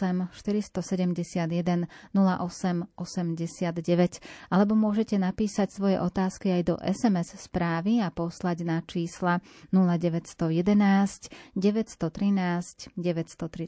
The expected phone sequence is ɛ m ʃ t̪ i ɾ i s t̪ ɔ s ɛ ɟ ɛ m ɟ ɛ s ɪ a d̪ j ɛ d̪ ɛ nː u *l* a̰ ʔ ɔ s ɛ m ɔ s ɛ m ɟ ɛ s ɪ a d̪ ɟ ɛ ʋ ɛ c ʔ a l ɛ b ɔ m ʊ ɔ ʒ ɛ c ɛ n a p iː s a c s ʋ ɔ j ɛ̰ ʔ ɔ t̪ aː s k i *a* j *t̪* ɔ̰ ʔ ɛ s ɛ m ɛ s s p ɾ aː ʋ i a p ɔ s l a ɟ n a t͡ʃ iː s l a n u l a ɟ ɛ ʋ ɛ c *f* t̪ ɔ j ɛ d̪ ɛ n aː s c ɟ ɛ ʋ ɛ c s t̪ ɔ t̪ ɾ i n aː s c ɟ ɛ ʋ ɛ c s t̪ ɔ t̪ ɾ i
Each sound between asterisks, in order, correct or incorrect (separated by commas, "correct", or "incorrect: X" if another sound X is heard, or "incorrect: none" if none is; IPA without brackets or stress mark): correct, correct, incorrect: d̪, incorrect: s